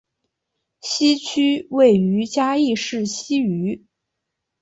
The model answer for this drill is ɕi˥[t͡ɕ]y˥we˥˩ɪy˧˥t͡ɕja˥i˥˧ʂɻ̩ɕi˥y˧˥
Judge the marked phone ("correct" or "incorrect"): incorrect